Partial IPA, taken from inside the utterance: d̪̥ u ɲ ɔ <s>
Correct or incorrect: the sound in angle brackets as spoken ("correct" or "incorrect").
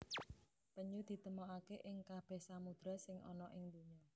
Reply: incorrect